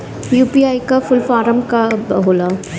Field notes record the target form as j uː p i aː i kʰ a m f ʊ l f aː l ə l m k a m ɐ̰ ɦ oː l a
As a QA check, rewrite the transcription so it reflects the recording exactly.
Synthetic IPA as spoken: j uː p i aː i k a f ʊ l f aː ɾ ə m k a b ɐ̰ ɦ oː l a